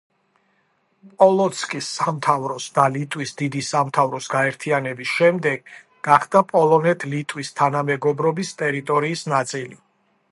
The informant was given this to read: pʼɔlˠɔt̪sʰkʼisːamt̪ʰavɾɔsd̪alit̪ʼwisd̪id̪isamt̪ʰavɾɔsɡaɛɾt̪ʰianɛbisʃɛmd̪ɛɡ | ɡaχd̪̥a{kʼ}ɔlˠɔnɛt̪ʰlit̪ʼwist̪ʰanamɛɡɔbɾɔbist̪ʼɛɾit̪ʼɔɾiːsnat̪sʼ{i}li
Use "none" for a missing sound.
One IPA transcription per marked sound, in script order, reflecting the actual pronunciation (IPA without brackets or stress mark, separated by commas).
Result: pʼ, i